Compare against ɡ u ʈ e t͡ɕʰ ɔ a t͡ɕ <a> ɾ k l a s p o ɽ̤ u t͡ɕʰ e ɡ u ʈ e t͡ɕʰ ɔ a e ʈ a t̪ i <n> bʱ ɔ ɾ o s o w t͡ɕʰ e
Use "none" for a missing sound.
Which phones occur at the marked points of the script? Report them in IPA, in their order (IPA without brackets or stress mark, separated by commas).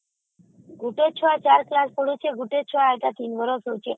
a, n